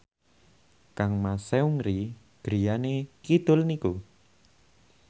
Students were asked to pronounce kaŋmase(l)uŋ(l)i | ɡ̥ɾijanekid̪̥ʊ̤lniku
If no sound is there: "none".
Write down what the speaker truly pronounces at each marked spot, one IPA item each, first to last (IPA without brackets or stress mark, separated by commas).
none, ɾ